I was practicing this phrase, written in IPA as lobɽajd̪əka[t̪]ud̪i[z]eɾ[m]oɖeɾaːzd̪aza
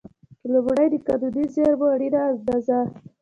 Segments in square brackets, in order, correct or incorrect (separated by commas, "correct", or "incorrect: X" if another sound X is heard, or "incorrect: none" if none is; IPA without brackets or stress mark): incorrect: d̪, correct, incorrect: b